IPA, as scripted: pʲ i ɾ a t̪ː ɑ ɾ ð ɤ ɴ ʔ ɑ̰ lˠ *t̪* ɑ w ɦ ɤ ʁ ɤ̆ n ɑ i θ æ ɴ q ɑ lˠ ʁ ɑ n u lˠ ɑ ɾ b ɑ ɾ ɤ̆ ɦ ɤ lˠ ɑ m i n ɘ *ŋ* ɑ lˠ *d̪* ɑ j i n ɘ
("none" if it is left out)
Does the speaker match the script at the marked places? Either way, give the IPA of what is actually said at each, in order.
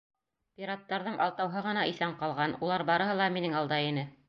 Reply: t̪, ŋ, d̪

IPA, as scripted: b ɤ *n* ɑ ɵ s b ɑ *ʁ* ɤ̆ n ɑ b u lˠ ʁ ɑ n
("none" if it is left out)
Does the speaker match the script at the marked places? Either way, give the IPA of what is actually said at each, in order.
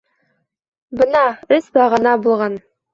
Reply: n, ʁ

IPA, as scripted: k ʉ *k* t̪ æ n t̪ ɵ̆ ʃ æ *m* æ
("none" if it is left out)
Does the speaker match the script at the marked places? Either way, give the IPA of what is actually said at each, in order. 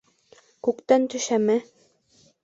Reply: k, m

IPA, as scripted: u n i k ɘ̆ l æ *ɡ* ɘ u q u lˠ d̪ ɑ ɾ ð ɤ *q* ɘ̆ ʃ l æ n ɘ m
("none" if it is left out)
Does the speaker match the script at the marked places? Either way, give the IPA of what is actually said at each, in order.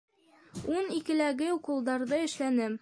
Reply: ɡ, none

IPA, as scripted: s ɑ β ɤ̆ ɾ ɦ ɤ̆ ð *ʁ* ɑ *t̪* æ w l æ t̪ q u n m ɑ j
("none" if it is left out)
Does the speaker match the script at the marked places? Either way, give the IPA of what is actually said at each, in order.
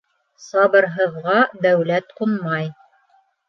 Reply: ʁ, d̪

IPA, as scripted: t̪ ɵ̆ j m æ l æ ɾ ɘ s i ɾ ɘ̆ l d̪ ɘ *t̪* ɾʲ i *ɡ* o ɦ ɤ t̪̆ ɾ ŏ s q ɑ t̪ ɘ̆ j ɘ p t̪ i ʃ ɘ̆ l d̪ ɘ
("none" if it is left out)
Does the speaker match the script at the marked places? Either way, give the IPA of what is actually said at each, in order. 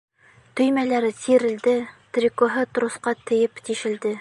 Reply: t̪, k

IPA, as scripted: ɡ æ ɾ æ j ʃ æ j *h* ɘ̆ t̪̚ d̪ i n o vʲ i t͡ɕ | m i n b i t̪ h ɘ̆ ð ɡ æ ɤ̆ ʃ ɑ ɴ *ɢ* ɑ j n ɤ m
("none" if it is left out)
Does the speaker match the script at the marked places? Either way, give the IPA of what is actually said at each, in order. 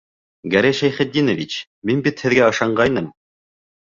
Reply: χ, ɢ

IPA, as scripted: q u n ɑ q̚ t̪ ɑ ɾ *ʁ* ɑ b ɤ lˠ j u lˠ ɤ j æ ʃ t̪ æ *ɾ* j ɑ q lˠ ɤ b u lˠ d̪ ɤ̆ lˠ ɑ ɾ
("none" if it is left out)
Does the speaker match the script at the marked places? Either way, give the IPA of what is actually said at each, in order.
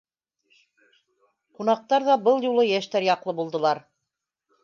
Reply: ð, ɾ

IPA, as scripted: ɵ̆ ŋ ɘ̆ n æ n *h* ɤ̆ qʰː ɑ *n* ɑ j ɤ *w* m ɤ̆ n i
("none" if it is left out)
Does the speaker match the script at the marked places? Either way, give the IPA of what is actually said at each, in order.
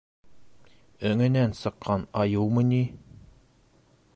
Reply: s, n, w

